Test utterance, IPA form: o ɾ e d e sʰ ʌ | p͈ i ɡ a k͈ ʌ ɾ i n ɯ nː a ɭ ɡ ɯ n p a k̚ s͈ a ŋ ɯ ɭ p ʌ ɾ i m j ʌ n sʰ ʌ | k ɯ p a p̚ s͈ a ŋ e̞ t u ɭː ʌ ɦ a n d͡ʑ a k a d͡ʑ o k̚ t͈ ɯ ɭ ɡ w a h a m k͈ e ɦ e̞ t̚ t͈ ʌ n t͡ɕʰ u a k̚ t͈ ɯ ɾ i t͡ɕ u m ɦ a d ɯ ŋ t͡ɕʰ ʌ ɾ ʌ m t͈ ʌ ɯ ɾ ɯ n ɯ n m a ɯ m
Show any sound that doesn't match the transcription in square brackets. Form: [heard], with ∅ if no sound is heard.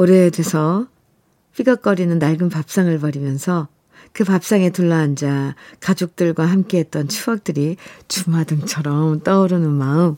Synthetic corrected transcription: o ɾ e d e sʰ ʌ | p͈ i ɡ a k͈ ʌ ɾ i n ɯ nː a ɭ ɡ ɯ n p a [p̚] s͈ a ŋ ɯ ɭ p ʌ ɾ i m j ʌ n sʰ ʌ | k ɯ p a p̚ s͈ a ŋ e̞ t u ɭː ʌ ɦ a n d͡ʑ a k a d͡ʑ o k̚ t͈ ɯ ɭ ɡ w a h a m k͈ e ɦ e̞ t̚ t͈ ʌ n t͡ɕʰ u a k̚ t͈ ɯ ɾ i t͡ɕ u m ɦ a d ɯ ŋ t͡ɕʰ ʌ ɾ ʌ m t͈ ʌ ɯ ɾ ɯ n ɯ n m a ɯ m